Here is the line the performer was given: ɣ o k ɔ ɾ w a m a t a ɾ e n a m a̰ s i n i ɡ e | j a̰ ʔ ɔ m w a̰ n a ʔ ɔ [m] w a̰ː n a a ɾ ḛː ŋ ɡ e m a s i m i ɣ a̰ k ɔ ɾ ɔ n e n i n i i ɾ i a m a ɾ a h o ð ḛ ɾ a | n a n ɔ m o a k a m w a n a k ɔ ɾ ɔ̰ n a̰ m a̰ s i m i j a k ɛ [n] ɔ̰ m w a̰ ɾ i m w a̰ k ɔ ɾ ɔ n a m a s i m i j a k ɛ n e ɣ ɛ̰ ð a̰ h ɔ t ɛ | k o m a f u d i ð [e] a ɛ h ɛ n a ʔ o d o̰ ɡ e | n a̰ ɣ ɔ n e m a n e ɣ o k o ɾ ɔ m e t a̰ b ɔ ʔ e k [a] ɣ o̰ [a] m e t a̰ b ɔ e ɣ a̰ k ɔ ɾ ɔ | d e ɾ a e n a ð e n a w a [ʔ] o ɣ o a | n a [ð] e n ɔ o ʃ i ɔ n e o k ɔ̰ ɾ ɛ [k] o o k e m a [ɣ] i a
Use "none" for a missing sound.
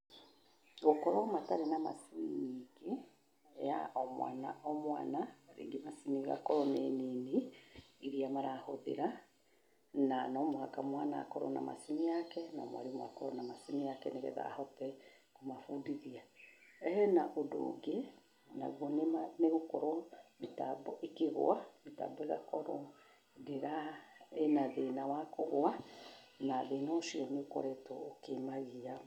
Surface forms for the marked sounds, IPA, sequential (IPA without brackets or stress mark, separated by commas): m, n, i, e, a, k, ð, t, ɣ